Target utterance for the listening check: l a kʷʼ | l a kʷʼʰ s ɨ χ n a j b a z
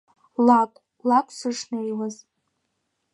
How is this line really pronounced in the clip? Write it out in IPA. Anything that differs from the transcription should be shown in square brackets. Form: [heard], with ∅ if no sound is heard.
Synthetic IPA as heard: l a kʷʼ | l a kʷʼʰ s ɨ [ʂ] n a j [w] a z